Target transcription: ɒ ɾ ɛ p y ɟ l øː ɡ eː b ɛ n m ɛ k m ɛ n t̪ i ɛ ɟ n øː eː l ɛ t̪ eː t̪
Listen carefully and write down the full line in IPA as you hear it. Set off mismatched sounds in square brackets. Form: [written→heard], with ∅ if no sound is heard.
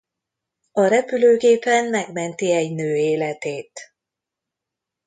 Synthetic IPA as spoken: ɒ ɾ ɛ p y [ɟ→∅] l øː ɡ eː [b→p] ɛ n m ɛ [k→ɡ] m ɛ n t̪ i ɛ ɟ n øː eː l ɛ t̪ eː t̪